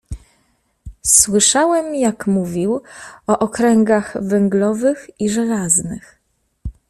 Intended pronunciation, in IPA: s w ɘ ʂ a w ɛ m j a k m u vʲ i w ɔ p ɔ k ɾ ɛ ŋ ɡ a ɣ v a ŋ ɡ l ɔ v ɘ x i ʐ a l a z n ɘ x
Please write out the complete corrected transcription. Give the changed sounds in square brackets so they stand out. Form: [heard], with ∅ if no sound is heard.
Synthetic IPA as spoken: s w ɘ ʂ a w ɛ m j a k m u vʲ i w ɔ [ʔ] ɔ k ɾ ɛ ŋ ɡ a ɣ v [ɛ] ŋ ɡ l ɔ v ɘ x i ʐ [ɛ] l a z n ɘ x